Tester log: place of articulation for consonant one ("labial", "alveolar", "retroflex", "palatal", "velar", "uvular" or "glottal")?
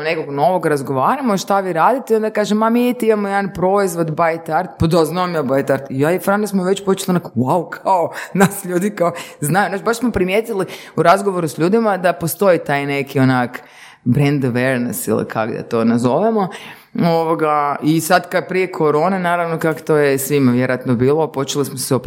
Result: alveolar